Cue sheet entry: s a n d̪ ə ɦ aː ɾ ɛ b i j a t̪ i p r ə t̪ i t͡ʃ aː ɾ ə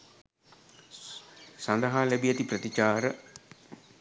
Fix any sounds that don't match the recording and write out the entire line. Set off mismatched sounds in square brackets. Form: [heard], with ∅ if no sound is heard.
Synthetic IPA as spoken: s a n d̪ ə ɦ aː [l] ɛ b i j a t̪ i p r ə t̪ i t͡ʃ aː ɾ ə